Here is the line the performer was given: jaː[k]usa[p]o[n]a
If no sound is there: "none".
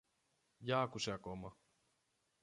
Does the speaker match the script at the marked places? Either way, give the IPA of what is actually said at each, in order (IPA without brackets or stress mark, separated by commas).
k, k, m